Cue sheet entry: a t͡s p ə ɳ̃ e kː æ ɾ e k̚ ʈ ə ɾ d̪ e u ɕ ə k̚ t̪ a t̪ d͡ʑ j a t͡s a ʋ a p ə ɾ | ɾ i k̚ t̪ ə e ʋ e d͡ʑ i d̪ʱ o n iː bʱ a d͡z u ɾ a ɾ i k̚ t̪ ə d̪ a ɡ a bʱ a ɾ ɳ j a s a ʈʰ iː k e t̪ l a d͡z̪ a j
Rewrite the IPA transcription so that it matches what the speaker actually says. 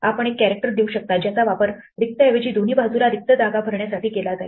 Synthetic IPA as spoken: a p ə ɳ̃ e kː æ ɾ e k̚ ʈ ə ɾ d̪ e u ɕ ə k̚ t̪ a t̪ d͡ʑ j a t͡s a ʋ a p ə ɾ | ɾ i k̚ t̪ ə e ʋ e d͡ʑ iː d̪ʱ o n iː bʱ a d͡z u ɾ a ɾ i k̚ t̪ ə d̪ a ɡ a bʱ ə ɾ ɳ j a s a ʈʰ iː k e l a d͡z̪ a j